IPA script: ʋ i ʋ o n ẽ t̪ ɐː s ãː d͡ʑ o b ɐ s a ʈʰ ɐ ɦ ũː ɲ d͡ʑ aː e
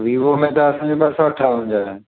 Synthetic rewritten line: ʋ i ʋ o m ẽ t̪ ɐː s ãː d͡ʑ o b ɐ s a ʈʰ a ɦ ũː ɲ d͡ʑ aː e

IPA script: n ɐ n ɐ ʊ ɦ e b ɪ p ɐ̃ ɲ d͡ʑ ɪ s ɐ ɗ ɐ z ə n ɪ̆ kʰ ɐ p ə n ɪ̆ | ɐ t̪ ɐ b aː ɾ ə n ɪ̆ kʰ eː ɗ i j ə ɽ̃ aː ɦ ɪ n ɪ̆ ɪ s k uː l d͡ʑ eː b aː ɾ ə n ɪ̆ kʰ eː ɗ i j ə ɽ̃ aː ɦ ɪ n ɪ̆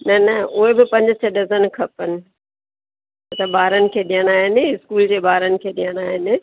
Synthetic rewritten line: n ɐ n ɐ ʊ ɦ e b ɪ p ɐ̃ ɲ d͡ʑ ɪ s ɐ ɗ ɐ z ə n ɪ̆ kʰ ɐ p ə n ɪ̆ | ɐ t̪ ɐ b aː ɾ ə n ɪ̆ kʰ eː ɗ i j ə ɽ̃ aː ɦ ɪ n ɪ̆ ɪ s k uː l d͡ʑ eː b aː ɾ ə n ɪ̆ kʰ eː ɗ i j ə ɽ̃ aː ɦ ɪ n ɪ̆

